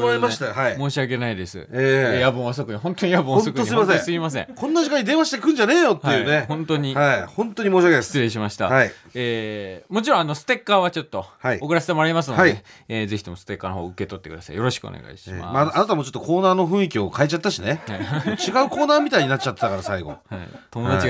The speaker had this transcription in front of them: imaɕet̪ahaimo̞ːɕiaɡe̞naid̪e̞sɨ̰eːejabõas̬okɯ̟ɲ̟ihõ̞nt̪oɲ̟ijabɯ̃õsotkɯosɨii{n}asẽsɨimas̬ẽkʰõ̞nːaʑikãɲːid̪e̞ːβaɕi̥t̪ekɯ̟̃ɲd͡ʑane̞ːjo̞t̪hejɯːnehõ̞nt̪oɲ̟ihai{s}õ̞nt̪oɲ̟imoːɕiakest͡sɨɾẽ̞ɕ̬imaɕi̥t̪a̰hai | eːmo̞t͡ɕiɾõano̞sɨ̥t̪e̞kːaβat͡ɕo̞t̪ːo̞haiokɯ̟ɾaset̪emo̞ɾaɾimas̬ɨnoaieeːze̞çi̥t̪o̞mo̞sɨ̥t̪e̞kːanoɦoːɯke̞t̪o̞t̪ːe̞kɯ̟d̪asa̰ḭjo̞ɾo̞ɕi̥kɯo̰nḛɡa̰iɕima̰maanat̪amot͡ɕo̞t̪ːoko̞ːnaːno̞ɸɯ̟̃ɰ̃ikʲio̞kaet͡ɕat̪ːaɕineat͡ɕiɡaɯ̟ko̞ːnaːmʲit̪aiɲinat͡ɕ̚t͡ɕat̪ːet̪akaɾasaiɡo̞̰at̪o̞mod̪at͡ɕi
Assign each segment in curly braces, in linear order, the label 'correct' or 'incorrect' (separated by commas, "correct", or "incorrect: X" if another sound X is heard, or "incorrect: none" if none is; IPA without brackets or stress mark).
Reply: incorrect: m, incorrect: h